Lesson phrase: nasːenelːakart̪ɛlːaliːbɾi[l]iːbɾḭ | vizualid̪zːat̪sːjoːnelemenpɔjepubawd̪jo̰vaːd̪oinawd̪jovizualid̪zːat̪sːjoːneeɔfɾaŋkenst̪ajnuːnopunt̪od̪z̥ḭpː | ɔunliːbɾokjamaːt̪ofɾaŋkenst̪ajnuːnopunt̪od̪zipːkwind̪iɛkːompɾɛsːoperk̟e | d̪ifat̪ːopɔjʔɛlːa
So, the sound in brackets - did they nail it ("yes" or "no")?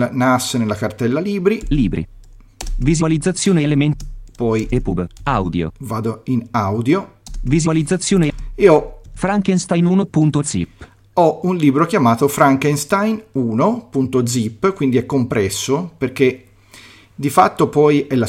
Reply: yes